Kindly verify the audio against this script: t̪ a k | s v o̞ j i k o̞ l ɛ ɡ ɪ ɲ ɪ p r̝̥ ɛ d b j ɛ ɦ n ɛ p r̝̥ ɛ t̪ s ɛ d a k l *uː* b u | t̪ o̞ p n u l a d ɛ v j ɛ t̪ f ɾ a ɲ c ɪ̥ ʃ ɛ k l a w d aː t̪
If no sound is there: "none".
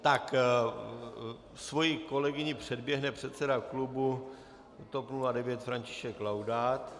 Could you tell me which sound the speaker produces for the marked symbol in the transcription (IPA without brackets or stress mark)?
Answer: u